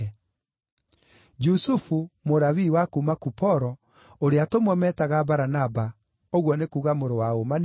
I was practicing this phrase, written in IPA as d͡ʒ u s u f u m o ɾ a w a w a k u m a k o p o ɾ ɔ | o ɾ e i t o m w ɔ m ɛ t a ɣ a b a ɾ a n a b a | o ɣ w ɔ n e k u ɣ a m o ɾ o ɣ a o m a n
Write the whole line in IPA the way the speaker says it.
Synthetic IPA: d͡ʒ u s u f u m o ɾ a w i w a k u m a k u p ɔ ɾ ɔ | o ɾ e a t o m w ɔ m ɛ t a ɣ a b a ɾ a n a b a | o ɣ w ɔ n e k u ɣ a m o ɾ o w a o m a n